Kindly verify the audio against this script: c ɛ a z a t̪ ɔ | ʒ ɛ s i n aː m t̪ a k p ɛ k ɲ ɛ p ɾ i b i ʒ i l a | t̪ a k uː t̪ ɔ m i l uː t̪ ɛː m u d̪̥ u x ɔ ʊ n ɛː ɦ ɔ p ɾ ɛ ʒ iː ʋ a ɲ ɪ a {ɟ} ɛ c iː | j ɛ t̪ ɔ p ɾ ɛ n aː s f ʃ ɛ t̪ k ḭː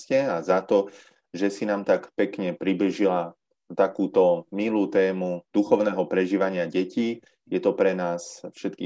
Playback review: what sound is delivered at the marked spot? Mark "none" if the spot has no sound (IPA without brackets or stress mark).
ɟ